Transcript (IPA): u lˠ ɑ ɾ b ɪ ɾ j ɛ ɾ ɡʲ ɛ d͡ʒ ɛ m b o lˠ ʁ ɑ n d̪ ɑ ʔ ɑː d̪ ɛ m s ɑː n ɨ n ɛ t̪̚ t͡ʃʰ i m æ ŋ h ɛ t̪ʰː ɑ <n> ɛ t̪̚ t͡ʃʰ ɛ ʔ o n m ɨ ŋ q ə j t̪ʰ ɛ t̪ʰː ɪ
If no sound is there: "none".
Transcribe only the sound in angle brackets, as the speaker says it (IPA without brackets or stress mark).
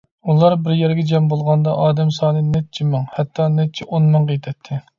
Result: n